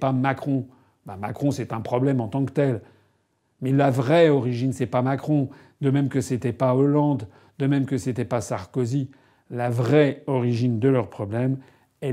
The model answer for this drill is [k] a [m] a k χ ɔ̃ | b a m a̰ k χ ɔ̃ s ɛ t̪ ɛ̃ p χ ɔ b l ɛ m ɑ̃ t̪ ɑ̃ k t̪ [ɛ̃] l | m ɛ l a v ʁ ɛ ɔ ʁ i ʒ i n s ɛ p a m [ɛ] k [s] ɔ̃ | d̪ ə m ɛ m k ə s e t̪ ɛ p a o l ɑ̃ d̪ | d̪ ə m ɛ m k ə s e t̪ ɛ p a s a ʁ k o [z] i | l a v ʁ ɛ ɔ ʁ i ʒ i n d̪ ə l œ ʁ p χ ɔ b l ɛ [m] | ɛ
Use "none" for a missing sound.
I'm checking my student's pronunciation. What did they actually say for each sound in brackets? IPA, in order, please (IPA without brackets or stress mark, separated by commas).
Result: p, m, ɛ, a, χ, z, m